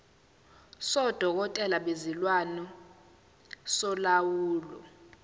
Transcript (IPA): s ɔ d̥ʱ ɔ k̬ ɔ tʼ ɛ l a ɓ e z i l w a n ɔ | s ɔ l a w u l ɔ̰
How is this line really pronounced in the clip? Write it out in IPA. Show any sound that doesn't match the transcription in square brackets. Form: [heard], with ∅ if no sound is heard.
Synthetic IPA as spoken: s ɔ d̥ʱ ɔ k̬ ɔ tʼ ɛ l a ɓ e z i l w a n ɔ | s ɔ l a w [uː] l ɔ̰